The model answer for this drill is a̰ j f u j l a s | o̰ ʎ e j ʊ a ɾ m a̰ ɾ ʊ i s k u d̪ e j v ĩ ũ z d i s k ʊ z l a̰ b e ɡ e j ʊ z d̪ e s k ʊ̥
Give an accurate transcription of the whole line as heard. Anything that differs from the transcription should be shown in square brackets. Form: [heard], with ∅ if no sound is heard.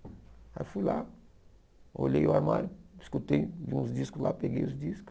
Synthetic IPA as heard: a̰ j f u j l a [∅] | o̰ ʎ e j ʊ a ɾ m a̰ ɾ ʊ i s k u [t̪] e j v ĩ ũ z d i s k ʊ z l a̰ [p] e ɡ e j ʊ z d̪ [i] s k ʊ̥

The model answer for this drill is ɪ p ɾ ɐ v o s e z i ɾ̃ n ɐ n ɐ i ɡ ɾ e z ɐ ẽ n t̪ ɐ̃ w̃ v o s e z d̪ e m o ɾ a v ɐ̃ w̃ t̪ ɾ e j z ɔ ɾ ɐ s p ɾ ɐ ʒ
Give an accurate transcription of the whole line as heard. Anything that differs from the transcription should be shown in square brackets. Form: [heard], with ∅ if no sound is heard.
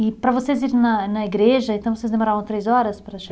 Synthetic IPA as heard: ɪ p ɾ ɐ v o s e z i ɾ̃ n ɐ n ɐ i ɡ ɾ e [ʒ] ɐ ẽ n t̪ ɐ̃ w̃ v o s e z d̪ e m o ɾ a v ɐ̃ w̃ t̪ ɾ e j z ɔ ɾ ɐ s p ɾ ɐ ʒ

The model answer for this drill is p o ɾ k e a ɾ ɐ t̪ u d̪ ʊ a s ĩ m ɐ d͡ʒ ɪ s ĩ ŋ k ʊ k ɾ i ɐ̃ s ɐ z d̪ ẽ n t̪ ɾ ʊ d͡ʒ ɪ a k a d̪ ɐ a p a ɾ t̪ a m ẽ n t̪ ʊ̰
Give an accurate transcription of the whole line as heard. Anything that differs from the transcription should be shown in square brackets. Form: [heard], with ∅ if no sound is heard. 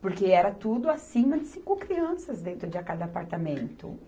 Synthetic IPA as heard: p o ɾ k e [ɛ] ɾ ɐ t̪ u d̪ ʊ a s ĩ m ɐ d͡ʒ ɪ s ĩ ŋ k ʊ k ɾ i ɐ̃ s ɐ z d̪ ẽ n t̪ ɾ ʊ d͡ʒ ɪ a k a d̪ ɐ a p a ɾ t̪ a m ẽ n t̪ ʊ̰

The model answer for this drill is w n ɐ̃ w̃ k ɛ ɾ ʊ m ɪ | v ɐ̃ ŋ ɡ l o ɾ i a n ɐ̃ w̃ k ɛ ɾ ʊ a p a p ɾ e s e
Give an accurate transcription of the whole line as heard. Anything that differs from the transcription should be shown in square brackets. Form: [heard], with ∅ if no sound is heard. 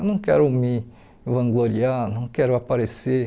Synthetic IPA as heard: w n ɐ̃ w̃ k ɛ ɾ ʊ m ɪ | v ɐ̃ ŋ ɡ l o ɾ i a n ɐ̃ w̃ k ɛ ɾ ʊ a p a [∅] ɾ e s e

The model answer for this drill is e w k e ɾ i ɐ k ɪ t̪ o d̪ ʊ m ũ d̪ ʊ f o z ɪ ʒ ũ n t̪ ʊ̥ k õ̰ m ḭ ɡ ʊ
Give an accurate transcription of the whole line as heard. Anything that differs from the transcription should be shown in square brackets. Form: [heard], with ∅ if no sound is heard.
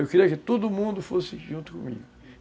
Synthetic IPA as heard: e w k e ɾ i ɐ k ɪ t̪ o d̪ ʊ m ũ d̪ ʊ f o [s] ɪ ʒ ũ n t̪ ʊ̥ k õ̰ m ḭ ɡ ʊ

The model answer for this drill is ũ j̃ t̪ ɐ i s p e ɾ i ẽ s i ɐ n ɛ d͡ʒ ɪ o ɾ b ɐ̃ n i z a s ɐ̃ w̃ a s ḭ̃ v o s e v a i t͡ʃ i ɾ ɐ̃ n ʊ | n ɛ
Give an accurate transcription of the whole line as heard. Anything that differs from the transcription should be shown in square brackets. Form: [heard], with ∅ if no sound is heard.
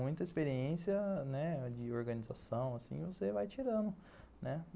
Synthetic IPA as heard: ũ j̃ t̪ ɐ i s p e ɾ i ẽ s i ɐ n ɛ d͡ʒ ɪ o ɾ [ɡ] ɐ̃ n i z a s ɐ̃ w̃ a s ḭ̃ v o s e v a [j] t͡ʃ i ɾ ɐ̃ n ʊ | n ɛ

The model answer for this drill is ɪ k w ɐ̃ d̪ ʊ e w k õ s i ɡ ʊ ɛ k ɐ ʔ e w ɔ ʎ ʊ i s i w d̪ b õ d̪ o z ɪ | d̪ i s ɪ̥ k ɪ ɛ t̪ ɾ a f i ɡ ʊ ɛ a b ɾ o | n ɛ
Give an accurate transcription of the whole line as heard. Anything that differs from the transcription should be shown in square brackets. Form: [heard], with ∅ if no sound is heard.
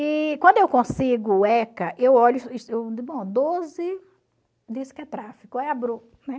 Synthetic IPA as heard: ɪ k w ɐ̃ d̪ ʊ e w k õ s i ɡ ʊ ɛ k ɐ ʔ e w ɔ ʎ ʊ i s [e] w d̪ b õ d̪ o z ɪ | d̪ i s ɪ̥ k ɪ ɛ t̪ ɾ a f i [k] ʊ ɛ a b ɾ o | n ɛ

